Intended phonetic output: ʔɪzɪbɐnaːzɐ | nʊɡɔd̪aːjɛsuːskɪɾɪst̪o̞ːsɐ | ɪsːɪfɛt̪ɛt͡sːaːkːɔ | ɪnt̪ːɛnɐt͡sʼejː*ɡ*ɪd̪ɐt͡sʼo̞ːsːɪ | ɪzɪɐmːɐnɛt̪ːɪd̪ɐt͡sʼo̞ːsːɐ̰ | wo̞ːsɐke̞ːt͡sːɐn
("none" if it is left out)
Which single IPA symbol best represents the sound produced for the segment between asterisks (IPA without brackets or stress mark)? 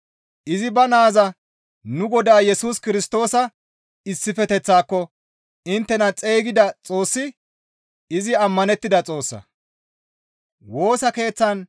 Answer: ɡ